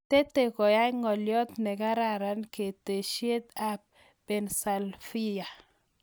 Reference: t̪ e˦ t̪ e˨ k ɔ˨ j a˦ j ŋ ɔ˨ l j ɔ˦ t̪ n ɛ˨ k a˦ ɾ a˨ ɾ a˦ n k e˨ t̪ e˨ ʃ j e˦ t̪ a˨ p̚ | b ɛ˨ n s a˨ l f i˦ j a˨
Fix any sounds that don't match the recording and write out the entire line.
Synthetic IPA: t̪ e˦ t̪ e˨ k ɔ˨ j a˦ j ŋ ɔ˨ l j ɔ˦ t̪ n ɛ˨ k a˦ ɾ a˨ ɾ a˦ n k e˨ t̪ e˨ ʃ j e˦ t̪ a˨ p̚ | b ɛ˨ n s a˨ l f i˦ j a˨